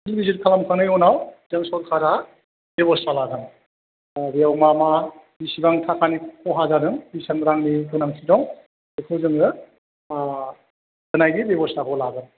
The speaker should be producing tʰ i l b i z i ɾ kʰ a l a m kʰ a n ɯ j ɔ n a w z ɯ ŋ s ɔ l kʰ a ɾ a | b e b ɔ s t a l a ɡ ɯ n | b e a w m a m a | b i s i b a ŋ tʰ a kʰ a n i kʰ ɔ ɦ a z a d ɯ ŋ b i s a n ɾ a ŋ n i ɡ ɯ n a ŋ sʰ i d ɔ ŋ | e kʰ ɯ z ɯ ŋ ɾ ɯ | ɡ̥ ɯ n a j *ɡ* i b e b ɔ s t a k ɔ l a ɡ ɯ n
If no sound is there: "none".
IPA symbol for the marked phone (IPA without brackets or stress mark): ɡ